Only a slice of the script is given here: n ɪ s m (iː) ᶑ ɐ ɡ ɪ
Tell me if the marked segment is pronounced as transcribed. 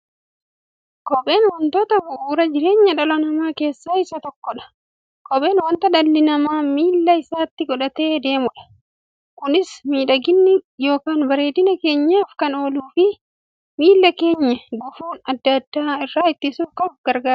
yes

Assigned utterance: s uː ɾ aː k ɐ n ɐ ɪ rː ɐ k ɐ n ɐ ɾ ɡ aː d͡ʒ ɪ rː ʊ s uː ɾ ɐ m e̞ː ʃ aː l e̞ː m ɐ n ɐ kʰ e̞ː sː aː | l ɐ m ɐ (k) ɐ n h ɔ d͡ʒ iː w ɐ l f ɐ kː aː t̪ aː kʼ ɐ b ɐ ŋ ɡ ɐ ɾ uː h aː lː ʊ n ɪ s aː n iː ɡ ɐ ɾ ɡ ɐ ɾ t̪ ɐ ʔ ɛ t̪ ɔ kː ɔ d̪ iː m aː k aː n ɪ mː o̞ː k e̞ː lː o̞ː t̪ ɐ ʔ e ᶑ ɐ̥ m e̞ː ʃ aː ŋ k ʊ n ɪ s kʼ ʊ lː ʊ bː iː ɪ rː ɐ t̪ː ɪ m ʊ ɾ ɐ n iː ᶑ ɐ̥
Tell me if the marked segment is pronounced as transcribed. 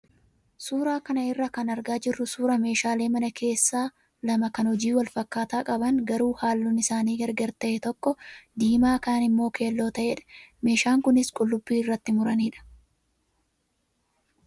yes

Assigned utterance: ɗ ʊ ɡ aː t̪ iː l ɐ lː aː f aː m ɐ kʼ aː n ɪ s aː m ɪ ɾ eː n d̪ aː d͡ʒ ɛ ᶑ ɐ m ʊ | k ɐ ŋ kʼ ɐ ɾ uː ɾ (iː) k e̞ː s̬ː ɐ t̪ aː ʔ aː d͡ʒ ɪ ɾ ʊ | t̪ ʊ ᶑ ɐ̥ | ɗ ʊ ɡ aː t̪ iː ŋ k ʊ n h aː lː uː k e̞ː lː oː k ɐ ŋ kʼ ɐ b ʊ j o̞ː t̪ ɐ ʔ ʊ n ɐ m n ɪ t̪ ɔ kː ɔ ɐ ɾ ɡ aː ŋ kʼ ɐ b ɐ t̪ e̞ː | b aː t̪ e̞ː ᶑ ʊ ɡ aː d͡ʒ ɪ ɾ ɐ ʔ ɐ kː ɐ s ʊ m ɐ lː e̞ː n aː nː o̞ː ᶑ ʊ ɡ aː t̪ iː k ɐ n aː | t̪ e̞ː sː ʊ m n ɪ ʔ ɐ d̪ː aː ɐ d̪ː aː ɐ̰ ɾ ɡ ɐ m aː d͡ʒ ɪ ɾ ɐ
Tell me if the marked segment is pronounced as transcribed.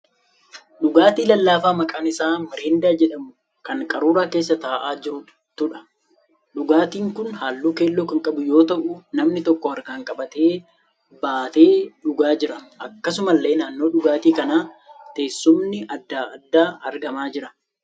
no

